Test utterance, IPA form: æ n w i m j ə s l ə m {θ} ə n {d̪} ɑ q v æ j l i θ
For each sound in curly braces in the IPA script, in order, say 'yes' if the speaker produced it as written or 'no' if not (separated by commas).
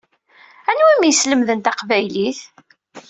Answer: no, no